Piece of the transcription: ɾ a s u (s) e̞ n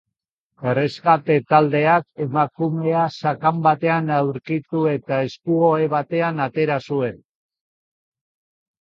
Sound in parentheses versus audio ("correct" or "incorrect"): incorrect